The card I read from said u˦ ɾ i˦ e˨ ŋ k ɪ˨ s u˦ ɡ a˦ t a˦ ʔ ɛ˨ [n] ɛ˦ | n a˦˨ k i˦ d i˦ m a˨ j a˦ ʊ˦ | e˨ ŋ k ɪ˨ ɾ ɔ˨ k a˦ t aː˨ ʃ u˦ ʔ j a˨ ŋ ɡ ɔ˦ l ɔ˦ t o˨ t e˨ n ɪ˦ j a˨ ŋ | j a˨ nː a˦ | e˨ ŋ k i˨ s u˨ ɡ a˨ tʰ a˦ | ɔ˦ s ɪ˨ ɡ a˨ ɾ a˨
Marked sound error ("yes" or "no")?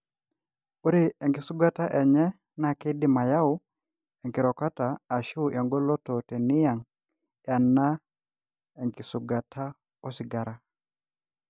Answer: yes